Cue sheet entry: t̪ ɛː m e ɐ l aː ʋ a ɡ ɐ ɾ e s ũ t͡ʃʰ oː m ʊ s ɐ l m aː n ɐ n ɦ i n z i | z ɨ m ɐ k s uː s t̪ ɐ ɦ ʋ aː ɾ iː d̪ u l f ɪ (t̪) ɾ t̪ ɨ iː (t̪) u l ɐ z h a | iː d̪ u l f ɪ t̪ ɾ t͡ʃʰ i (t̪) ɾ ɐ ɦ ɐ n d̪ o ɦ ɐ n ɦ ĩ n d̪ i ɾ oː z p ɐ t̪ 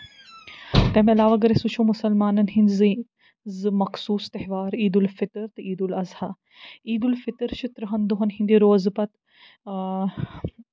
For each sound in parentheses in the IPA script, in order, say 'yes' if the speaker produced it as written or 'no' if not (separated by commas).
yes, no, yes